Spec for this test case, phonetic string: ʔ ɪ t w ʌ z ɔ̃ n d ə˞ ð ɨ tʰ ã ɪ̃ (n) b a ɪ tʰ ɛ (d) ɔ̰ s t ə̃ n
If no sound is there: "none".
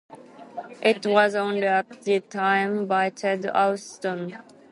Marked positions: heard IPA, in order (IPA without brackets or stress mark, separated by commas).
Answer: m, d